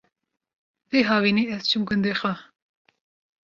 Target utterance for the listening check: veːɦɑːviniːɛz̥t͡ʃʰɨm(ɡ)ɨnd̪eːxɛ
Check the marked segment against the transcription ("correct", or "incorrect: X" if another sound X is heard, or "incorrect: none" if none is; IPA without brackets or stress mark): correct